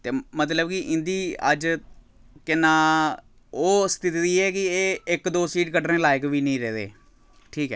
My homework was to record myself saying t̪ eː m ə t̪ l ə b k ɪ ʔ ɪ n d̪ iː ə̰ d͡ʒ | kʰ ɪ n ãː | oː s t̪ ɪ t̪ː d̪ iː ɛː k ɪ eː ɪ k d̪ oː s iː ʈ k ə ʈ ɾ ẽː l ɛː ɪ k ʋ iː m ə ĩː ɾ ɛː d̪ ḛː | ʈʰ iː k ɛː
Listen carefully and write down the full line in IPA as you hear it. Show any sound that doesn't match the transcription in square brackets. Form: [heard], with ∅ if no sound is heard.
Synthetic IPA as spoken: t̪ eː m ə t̪ l ə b k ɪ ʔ ɪ n d̪ iː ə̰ d͡ʒ | [k] ɪ n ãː | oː s t̪ ɪ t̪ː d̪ iː ɛː k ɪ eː ɪ k d̪ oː s iː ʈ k ə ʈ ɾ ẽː l [aː] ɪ k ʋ iː [n] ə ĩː ɾ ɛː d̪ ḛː | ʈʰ iː k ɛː